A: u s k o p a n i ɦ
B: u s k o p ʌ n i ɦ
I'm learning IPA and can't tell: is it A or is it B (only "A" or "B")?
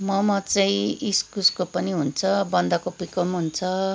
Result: B